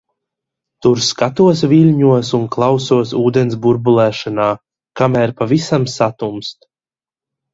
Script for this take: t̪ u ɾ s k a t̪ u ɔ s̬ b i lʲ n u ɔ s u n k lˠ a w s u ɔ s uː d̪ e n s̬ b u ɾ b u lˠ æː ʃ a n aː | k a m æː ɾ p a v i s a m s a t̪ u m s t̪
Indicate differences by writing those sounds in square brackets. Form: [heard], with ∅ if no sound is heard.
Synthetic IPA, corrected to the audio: t̪ u ɾ s k a t̪ u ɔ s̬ [v] i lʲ [ɲ] u ɔ s u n k lˠ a w s u ɔ s uː d̪ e n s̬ b u ɾ b u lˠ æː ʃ a n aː | k a m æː ɾ p a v i s a m s a t̪ u m s t̪

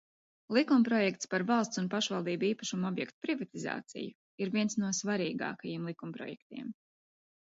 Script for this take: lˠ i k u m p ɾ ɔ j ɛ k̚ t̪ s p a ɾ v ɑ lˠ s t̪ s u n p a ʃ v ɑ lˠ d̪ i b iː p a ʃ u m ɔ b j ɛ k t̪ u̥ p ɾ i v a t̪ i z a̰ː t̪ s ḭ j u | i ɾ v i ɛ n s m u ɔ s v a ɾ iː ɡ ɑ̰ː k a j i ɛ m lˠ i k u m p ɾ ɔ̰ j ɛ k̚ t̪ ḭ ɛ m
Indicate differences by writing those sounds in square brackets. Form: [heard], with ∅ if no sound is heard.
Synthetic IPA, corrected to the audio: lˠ i k u m p ɾ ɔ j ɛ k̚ t̪ s p a ɾ v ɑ lˠ s t̪ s u n p a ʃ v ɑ lˠ d̪ [iː] b iː p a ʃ u m ɔ b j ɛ k t̪ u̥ p ɾ i v a t̪ i z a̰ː t̪ s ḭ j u | i ɾ v i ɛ n s [n] u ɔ s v a ɾ iː ɡ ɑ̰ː k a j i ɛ m lˠ i k u m p ɾ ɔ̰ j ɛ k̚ t̪ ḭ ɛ m

